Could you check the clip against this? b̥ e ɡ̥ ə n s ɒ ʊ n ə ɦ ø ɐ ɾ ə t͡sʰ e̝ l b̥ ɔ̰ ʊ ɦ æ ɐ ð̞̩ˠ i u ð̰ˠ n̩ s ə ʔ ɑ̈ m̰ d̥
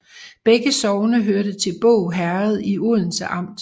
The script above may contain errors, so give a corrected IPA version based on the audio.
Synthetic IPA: b̥ e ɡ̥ ə s ɒ ʊ n ə ɦ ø ɐ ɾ ə t͡sʰ e̝ l b̥ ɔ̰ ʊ ɦ æ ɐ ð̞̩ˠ i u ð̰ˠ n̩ s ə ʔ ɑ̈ m̰ d̥